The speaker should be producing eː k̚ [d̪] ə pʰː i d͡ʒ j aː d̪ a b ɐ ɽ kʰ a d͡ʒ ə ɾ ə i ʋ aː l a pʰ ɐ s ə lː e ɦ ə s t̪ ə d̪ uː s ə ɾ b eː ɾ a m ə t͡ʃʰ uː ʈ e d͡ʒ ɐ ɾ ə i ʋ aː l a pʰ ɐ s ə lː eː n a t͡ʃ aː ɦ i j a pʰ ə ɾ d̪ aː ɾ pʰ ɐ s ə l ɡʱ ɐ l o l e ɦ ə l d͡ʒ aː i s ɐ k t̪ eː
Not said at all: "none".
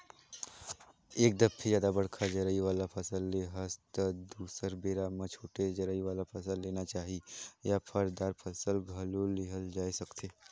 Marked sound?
d̪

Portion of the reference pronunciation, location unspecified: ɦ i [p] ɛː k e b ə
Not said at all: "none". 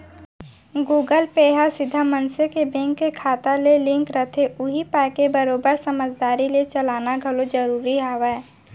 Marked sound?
p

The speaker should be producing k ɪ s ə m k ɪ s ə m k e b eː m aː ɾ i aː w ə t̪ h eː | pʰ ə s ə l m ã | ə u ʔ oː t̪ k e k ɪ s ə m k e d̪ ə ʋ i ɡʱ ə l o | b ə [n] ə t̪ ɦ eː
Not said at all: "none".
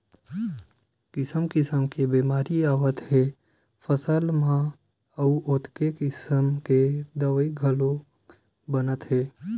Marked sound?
n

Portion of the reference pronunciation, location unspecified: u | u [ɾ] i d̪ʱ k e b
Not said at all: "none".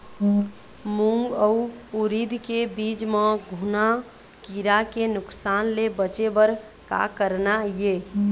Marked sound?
ɾ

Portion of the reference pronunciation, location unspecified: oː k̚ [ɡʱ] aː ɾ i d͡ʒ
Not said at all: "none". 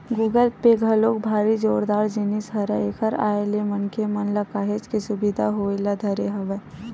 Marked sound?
bʱ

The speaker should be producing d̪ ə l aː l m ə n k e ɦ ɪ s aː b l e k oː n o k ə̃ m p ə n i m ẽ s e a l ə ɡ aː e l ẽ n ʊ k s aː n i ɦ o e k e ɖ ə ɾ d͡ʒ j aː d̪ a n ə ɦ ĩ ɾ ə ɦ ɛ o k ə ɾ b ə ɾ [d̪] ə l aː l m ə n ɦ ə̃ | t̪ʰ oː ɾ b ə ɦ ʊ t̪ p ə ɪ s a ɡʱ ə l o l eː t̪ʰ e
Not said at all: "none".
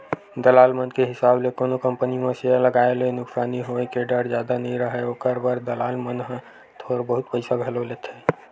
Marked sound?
d̪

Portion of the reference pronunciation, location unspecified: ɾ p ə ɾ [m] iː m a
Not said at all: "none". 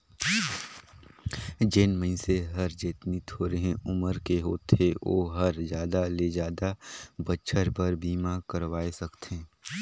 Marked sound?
b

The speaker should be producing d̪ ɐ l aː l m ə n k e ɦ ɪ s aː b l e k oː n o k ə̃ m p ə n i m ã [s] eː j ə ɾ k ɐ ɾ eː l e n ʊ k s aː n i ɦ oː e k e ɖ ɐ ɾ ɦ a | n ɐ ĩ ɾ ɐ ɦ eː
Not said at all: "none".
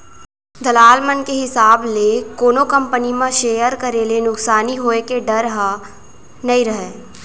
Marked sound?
ʃ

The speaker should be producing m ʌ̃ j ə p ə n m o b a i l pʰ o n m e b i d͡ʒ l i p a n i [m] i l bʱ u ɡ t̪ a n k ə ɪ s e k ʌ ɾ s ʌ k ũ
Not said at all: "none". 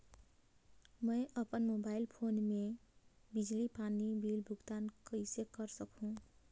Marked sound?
b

